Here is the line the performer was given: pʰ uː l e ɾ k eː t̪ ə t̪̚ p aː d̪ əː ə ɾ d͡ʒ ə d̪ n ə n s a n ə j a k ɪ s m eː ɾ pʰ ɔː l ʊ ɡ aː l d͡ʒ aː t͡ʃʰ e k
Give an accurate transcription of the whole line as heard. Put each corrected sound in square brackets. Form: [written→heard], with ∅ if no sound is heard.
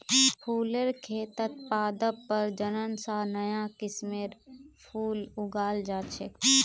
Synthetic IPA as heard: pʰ uː l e ɾ [k→kʰ] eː t̪ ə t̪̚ p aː d̪ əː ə ɾ d͡ʒ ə [d̪→∅] n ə n s a n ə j a k ɪ s m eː ɾ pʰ [ɔː→uː] l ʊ ɡ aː l d͡ʒ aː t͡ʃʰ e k